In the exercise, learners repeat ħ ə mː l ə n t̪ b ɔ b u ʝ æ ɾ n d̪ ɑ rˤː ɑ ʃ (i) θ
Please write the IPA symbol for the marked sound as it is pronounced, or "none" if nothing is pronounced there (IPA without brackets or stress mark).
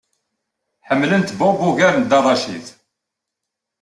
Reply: i